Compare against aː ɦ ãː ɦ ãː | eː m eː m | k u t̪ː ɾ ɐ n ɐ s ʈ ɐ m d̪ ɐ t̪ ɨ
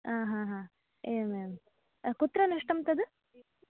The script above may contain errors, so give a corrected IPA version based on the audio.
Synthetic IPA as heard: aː ɦ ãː ɦ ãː | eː m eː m | k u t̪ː ɾ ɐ n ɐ ʂ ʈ ɐ m t̪ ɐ d̪ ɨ